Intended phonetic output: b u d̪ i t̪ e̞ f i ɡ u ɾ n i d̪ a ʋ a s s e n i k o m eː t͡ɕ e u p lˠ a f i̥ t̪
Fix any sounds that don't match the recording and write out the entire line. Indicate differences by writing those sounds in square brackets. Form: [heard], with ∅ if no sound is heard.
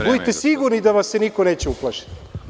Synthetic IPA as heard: b u d̪ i t̪ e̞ [s] i ɡ u ɾ n i d̪ a ʋ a s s e n i k o [n] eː t͡ɕ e u p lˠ a [ʃ] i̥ t̪